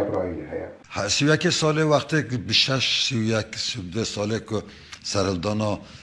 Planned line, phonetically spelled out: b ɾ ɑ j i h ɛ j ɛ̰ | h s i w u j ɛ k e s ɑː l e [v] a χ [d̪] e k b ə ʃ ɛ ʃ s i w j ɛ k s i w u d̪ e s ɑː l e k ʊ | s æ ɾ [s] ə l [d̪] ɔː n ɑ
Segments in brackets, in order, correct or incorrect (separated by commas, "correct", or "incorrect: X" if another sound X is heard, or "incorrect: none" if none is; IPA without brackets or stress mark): incorrect: w, incorrect: t̪, incorrect: h, correct